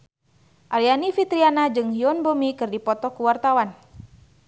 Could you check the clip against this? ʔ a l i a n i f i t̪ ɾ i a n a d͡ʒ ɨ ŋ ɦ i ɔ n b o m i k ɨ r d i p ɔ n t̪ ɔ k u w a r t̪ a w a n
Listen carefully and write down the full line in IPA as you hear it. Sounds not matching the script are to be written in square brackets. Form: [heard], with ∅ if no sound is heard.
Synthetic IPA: ʔ a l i a n i f i t̪ ɾ i a n a d͡ʒ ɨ ŋ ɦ i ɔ n b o m i k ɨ r d i p ɔ [∅] t̪ ɔ k u w a r t̪ a w a n